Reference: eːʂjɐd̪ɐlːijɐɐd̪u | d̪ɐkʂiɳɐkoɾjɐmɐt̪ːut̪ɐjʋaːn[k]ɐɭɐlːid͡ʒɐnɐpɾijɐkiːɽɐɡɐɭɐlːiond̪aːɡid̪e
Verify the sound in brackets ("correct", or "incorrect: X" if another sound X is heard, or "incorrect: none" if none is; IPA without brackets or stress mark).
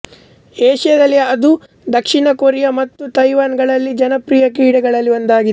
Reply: incorrect: ɡ